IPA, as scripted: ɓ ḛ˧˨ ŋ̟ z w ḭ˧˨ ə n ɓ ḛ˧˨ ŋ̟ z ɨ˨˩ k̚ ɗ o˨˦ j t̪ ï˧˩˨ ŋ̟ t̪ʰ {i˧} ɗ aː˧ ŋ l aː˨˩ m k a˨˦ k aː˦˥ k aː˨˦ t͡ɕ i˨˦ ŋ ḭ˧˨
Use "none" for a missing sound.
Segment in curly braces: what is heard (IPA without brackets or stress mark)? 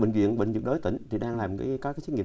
i˨˩